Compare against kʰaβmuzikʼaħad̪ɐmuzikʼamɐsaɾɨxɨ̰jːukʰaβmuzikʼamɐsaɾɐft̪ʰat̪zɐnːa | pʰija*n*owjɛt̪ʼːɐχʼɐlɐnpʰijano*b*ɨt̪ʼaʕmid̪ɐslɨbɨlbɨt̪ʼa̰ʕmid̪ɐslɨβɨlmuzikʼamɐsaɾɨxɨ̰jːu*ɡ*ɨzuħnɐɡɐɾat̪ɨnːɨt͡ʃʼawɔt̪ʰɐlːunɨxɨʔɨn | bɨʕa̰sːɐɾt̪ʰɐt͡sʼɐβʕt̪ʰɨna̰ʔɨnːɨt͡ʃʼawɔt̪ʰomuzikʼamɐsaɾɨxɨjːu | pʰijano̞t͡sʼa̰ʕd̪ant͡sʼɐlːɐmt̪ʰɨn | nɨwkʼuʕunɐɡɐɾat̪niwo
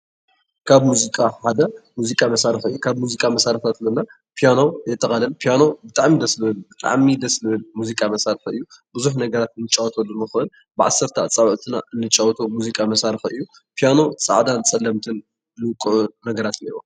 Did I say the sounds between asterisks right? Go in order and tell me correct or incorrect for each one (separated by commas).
correct, correct, incorrect